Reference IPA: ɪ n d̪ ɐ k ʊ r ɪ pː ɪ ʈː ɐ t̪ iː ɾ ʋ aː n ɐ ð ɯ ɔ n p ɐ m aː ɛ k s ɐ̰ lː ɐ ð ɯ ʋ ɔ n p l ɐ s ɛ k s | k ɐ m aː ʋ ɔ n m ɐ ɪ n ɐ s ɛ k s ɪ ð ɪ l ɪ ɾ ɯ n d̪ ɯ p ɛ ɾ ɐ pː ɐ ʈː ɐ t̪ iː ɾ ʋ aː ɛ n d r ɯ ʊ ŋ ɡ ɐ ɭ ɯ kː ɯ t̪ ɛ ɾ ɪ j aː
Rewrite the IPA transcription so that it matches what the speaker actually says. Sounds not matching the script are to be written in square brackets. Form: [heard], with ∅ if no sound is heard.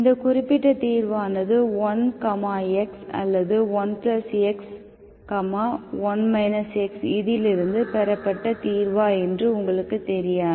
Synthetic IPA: ɪ n d̪ ɐ k ʊ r ɪ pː ɪ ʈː ɐ t̪ iː ɾ ʋ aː n ɐ ð ɯ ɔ n [k] ɐ m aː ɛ k s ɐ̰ lː ɐ ð ɯ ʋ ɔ n p l ɐ s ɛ k s | k ɐ m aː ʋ ɔ n m ɐ ɪ n ɐ s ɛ k s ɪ ð ɪ l ɪ ɾ ɯ n d̪ ɯ p ɛ ɾ ɐ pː ɐ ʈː ɐ t̪ iː ɾ ʋ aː ɛ n d r ɯ ʊ ŋ ɡ ɐ ɭ ɯ kː ɯ t̪ ɛ ɾ ɪ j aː